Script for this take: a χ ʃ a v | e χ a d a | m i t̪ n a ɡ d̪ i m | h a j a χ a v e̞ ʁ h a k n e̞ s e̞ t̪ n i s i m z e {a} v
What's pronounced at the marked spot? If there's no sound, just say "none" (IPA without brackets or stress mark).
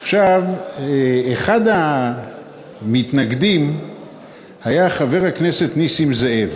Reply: e